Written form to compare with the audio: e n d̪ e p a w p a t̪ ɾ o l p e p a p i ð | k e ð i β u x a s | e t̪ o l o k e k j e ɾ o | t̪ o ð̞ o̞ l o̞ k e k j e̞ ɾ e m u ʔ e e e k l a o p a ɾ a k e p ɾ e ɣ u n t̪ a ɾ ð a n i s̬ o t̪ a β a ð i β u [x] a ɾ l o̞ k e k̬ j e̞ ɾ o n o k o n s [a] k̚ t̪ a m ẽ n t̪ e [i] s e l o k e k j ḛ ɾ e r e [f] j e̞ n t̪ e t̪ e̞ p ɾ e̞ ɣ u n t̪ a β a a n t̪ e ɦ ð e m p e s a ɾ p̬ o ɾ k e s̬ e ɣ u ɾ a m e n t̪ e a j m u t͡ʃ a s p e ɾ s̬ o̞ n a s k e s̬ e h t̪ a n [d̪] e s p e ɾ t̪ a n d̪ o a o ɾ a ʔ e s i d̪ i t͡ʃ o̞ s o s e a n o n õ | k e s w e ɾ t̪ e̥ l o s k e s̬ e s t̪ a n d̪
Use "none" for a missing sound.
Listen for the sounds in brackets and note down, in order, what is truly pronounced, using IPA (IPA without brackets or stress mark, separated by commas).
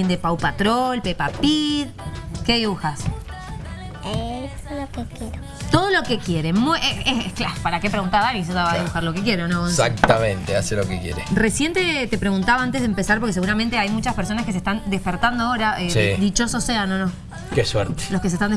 x, a, a, s, d̪